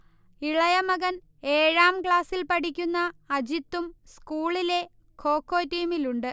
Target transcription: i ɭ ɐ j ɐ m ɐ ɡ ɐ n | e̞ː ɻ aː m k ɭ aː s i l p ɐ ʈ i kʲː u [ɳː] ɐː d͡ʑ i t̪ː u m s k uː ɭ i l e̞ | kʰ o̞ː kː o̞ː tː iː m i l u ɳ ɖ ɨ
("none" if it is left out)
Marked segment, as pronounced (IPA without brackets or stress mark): nː